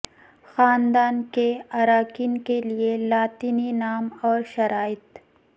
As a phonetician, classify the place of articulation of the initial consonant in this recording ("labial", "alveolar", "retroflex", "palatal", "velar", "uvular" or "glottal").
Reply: velar